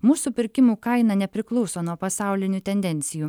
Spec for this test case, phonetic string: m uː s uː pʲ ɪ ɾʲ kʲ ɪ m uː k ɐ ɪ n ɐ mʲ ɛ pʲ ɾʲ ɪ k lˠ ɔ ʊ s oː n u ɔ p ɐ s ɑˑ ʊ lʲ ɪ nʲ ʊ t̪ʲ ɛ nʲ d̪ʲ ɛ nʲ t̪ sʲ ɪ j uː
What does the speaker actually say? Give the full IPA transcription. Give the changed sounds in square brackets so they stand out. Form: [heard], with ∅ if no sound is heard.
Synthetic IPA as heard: m uː s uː pʲ ɪ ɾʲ kʲ ɪ m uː k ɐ ɪ n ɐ [nʲ] ɛ pʲ ɾʲ ɪ k lˠ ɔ ʊ s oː n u ɔ p ɐ s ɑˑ ʊ lʲ ɪ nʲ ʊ t̪ʲ ɛ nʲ d̪ʲ ɛ nʲ t̪ sʲ ɪ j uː